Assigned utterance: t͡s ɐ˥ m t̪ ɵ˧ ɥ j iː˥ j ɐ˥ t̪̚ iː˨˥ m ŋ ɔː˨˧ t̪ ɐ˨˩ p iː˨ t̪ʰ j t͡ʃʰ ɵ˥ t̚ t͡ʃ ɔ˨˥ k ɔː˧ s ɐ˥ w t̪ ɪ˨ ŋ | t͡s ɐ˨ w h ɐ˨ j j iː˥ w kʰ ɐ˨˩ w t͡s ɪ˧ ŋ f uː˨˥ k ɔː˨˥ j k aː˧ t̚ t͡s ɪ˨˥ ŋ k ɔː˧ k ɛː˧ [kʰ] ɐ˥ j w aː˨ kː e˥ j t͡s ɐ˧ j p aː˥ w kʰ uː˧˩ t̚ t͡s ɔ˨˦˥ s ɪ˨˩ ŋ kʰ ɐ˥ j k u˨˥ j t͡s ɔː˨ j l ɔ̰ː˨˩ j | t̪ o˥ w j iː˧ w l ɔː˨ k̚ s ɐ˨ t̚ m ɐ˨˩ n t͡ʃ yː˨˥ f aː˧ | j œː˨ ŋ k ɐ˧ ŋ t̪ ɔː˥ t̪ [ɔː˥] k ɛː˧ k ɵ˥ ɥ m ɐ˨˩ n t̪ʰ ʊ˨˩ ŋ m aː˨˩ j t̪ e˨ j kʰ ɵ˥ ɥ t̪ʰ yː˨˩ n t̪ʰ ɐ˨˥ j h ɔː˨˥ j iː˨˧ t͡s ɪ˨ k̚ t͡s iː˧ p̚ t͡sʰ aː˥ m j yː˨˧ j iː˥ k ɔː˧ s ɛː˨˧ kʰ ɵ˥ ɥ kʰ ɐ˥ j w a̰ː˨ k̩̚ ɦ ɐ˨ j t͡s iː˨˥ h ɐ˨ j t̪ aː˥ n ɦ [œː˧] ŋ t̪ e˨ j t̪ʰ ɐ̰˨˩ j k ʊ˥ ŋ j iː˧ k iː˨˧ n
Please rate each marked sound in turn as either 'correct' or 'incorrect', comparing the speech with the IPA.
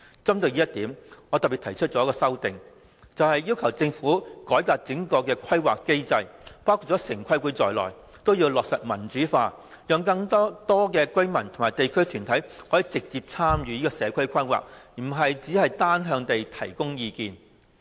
correct, correct, correct

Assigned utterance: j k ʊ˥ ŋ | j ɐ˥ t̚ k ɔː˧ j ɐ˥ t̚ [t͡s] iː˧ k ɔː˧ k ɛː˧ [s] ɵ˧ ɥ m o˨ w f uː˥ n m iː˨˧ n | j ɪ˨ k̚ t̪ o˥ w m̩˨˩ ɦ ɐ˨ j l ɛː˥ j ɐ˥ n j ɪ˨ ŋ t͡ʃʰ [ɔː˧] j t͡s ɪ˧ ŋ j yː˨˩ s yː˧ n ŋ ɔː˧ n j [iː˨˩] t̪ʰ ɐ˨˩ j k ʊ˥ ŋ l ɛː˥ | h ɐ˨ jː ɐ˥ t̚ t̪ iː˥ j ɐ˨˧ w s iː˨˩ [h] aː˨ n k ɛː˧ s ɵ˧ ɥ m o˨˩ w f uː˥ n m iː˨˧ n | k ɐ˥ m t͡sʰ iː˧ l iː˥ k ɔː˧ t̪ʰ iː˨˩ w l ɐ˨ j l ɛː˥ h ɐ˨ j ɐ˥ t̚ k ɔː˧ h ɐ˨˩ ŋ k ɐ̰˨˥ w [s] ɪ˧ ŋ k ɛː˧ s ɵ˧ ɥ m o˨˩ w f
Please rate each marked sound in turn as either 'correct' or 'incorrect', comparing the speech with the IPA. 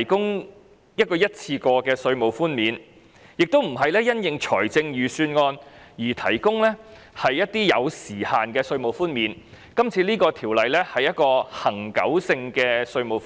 incorrect: t͡sʰ, correct, incorrect: ɔː˨˩, correct, correct, correct

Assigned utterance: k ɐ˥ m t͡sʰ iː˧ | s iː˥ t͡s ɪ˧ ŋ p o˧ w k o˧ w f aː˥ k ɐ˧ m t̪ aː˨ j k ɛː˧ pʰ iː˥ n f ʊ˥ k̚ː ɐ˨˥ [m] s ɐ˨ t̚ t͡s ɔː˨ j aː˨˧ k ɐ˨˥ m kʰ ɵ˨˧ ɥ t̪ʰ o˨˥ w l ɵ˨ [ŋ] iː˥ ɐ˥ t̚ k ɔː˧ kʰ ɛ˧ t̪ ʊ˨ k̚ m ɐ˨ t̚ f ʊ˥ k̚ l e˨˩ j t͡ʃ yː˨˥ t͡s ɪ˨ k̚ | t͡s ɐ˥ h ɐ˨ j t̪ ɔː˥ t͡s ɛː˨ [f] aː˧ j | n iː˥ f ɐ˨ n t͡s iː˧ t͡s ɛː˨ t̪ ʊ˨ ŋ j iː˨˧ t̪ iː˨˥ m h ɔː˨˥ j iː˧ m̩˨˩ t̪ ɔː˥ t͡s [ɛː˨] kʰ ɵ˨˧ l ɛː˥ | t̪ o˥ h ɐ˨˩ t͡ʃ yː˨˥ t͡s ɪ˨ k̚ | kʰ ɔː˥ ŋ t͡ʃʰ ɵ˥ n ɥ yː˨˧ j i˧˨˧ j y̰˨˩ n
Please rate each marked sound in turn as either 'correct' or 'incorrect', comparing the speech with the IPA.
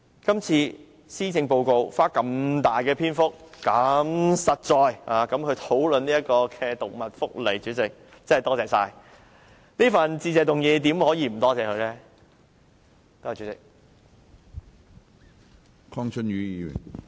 correct, incorrect: n, incorrect: s, correct

